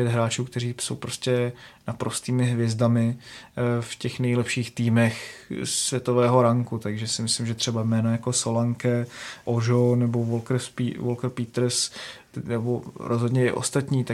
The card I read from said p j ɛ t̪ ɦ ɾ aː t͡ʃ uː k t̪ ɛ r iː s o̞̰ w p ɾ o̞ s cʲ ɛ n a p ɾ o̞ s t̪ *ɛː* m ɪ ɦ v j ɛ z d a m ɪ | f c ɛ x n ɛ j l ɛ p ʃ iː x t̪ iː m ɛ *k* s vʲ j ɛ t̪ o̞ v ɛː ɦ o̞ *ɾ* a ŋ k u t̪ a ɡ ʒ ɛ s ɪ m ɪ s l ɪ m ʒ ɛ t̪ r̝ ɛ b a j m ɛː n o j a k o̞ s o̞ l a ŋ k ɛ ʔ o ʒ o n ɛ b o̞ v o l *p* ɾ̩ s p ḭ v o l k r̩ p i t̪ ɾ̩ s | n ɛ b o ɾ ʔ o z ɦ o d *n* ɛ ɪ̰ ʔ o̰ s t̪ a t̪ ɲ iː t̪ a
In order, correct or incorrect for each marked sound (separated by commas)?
incorrect, incorrect, correct, incorrect, incorrect